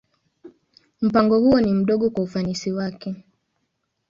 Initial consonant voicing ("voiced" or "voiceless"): voiced